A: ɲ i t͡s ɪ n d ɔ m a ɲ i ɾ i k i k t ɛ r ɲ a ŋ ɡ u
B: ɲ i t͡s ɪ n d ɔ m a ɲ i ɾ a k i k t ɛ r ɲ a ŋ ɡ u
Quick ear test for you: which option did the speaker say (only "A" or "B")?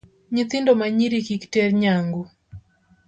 A